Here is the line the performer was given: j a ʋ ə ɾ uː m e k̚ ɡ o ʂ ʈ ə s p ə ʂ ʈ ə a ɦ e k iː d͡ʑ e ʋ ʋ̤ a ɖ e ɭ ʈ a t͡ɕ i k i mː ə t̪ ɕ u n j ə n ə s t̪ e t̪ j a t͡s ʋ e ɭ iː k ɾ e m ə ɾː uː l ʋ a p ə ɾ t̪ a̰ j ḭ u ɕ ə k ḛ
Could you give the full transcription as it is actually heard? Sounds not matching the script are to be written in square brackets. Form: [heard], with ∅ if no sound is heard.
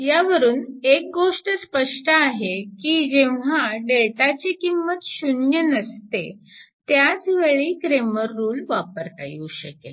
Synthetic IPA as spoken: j a ʋ ə ɾ uː [n] e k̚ ɡ o ʂ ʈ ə s p ə ʂ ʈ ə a ɦ e k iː d͡ʑ e ʋ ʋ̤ a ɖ e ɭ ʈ a t͡ɕ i k i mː ə t̪ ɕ u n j ə n ə s t̪ e t̪ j a t͡s ʋ e ɭ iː k ɾ e m ə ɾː uː l ʋ a p ə ɾ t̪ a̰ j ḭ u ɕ ə k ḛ